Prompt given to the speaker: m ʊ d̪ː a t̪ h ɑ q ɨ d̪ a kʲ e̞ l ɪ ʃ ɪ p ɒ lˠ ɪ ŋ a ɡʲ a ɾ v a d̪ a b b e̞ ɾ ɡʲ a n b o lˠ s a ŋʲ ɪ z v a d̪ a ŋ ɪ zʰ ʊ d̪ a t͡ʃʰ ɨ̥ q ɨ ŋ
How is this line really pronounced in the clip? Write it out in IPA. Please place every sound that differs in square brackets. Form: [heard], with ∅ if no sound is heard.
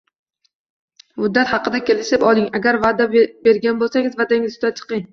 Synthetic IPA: m ʊ d̪ː a t̪ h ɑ q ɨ d̪ a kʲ e̞ l ɪ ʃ ɪ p ɒ lˠ ɪ ŋ a ɡʲ a ɾ v a d̪ a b b e̞ ɾ ɡʲ a n b o lˠ s a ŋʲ ɪ z v a d̪ a ŋ ɪ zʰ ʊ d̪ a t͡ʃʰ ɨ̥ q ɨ ŋ